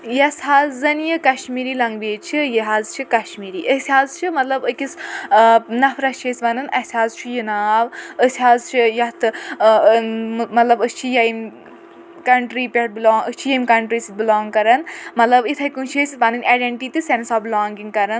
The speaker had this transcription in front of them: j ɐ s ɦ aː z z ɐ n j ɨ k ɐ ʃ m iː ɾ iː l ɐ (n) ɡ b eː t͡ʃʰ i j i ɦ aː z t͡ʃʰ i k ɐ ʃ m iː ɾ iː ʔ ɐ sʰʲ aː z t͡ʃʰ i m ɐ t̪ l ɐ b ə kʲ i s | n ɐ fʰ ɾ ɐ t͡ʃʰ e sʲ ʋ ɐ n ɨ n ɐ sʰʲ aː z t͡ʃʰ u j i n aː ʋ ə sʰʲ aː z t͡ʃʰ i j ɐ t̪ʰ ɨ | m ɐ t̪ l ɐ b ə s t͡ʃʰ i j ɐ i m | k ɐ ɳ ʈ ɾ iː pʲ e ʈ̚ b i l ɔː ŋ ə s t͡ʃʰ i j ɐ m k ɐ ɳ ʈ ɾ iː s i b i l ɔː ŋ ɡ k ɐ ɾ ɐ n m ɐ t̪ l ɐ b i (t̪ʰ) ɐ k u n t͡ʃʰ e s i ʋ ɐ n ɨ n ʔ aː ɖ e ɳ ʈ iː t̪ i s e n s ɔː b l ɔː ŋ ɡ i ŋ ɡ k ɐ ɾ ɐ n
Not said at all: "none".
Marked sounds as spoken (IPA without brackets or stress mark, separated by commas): ŋ, t̪ʰ